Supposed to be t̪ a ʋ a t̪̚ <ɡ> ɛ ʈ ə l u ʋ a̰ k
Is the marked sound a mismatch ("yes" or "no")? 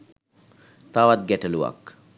no